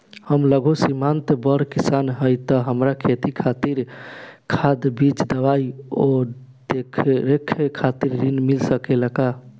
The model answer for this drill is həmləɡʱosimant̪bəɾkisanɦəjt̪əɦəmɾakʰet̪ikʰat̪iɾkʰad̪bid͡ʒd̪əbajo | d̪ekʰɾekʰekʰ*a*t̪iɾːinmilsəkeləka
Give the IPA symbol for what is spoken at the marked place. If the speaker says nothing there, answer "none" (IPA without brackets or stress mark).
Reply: a